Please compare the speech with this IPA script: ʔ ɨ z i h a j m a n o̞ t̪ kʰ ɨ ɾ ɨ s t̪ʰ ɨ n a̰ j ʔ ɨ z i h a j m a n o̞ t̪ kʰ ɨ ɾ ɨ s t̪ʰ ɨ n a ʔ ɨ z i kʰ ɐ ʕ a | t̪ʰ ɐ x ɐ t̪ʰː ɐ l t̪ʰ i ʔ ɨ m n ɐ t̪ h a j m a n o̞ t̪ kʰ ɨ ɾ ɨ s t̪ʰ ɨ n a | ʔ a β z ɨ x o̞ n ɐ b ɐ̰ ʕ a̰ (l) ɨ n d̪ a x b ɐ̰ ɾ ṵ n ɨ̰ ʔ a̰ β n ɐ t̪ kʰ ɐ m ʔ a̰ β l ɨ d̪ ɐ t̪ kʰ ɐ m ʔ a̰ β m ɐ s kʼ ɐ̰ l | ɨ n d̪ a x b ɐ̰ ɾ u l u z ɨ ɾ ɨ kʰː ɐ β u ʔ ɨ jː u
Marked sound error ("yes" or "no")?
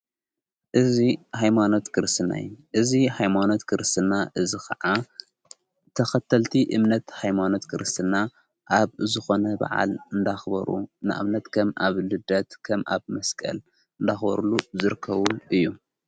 no